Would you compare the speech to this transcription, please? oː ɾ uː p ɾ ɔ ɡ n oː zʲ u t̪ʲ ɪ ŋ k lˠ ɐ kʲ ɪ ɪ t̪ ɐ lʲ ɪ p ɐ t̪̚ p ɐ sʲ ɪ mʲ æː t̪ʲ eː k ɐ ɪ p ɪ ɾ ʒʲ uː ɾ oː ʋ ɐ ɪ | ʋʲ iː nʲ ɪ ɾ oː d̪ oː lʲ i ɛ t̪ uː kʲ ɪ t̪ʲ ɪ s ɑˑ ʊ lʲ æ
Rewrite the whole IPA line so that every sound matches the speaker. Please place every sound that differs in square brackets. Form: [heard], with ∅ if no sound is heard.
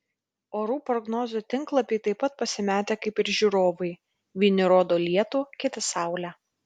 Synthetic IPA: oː ɾ uː p ɾ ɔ ɡ n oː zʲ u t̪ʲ ɪ ŋ k lˠ ɐ [pʲ] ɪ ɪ t̪ ɐ [∅] ɪ p ɐ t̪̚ p ɐ sʲ ɪ mʲ æː t̪ʲ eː k ɐ ɪ p ɪ ɾ ʒʲ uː ɾ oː ʋ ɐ ɪ | ʋʲ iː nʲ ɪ ɾ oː d̪ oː lʲ i ɛ t̪ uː kʲ ɪ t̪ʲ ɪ s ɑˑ ʊ lʲ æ